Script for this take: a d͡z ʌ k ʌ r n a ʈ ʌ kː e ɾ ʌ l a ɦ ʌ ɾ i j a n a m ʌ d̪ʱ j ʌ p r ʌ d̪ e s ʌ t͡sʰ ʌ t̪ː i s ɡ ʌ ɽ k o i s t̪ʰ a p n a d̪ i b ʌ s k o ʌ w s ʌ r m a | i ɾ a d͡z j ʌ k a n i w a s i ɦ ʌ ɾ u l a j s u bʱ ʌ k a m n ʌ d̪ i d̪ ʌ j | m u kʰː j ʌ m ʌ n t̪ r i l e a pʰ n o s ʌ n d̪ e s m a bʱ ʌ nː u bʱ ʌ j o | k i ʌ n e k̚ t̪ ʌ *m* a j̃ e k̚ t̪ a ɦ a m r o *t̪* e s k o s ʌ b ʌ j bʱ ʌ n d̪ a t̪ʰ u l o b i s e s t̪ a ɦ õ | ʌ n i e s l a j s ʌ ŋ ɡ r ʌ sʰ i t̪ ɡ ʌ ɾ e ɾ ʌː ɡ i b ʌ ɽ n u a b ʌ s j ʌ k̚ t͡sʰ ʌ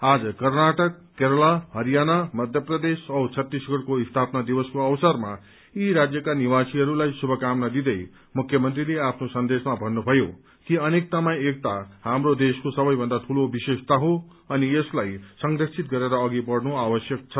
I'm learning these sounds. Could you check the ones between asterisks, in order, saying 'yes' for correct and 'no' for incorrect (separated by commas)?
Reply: yes, no